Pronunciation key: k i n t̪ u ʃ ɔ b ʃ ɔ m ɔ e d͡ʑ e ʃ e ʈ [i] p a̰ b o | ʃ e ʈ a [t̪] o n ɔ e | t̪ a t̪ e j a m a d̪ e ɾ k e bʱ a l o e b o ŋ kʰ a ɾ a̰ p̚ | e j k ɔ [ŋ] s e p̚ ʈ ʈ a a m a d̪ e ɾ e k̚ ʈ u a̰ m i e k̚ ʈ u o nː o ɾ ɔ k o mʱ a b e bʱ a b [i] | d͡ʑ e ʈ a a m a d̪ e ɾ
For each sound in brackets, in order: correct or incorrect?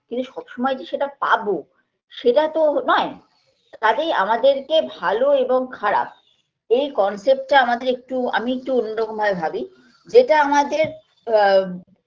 incorrect, correct, incorrect, correct

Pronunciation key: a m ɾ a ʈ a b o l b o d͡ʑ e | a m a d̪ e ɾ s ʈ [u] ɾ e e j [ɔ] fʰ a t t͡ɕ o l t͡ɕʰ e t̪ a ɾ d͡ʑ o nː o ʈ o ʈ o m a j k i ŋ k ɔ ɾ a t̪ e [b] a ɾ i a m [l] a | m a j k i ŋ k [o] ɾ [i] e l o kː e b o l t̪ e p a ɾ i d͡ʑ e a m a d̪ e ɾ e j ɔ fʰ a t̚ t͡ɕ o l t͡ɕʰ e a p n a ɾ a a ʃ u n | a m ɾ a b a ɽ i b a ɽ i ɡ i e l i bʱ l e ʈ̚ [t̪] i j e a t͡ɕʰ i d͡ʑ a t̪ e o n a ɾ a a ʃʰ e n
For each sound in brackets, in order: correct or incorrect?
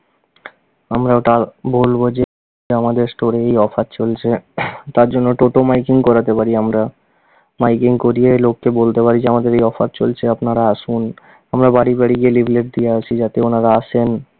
incorrect, correct, incorrect, incorrect, correct, correct, incorrect

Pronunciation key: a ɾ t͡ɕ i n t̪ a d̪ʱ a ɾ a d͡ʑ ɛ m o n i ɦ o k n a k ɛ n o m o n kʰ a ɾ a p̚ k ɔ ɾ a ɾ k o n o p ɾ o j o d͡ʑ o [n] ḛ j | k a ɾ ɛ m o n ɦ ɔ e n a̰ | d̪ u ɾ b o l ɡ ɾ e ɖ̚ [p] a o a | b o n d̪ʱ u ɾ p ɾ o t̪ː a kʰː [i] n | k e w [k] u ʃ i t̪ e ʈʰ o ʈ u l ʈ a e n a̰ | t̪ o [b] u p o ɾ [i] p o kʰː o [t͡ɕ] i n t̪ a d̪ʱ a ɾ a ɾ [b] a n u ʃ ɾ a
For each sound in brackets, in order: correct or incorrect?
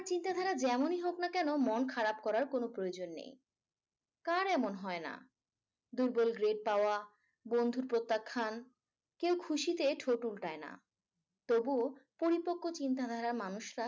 incorrect, correct, incorrect, incorrect, correct, correct, correct, incorrect

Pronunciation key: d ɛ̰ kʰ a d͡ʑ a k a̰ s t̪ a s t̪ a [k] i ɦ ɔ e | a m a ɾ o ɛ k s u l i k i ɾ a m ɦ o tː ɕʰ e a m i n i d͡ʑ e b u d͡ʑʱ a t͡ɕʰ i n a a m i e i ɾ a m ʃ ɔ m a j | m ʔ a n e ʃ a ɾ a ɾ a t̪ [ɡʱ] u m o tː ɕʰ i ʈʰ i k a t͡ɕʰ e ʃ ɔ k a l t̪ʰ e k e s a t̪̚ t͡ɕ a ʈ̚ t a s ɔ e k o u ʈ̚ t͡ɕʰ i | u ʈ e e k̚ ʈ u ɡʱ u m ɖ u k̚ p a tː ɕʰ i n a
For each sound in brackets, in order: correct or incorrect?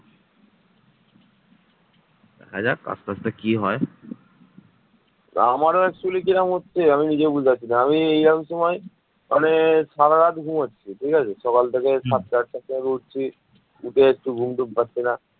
correct, correct

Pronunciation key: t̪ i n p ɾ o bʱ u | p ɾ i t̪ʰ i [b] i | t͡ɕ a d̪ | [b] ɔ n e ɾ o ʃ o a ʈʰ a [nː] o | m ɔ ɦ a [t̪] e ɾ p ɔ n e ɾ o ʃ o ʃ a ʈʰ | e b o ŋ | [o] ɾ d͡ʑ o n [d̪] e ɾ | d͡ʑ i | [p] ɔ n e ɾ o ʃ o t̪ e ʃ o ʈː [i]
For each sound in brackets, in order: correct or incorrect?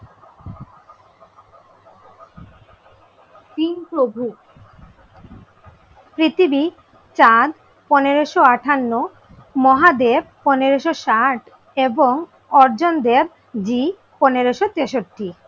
correct, incorrect, correct, incorrect, incorrect, correct, correct, correct

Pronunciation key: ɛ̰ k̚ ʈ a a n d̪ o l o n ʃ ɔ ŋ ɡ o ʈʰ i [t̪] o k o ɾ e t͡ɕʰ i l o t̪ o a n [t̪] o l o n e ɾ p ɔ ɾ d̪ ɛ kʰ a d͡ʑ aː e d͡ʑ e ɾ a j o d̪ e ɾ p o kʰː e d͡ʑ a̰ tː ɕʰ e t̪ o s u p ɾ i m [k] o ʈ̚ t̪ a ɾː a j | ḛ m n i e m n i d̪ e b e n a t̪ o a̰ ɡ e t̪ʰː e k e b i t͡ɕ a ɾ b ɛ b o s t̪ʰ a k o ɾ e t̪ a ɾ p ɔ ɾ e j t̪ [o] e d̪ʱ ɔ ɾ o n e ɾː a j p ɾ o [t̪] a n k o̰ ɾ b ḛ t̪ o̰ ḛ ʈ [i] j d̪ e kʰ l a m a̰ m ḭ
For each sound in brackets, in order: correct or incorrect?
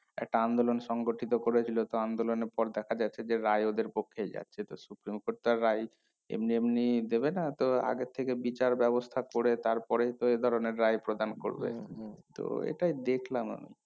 correct, incorrect, correct, correct, incorrect, incorrect

